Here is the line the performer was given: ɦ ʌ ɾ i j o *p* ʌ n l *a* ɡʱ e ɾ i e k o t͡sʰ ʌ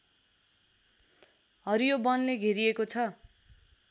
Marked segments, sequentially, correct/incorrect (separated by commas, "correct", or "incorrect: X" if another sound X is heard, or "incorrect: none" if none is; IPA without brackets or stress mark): incorrect: b, incorrect: e